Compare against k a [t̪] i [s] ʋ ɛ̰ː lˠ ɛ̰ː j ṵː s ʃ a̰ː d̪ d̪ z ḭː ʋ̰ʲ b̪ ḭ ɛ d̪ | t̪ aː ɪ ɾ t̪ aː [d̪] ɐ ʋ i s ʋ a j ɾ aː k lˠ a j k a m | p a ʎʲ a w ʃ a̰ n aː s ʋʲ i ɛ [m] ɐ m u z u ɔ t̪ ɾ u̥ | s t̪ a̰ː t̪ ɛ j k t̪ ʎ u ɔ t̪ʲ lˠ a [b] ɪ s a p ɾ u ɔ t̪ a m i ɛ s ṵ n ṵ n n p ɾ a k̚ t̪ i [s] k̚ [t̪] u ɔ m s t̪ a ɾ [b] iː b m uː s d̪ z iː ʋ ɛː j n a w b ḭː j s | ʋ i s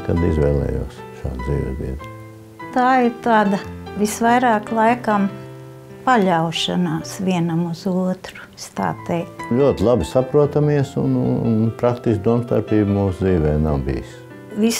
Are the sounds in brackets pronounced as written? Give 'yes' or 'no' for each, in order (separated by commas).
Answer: no, no, yes, no, yes, yes, no, no